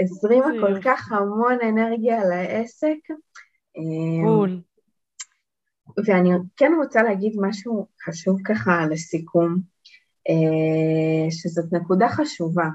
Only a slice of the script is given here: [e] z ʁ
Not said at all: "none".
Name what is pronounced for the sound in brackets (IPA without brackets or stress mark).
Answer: e